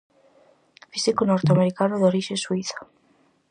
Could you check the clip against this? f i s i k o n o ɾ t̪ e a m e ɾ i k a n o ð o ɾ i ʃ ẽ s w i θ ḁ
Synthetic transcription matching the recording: f i s i k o n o ɾ t̪ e a m e ɾ i k a n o ð o ɾ i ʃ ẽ s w i θ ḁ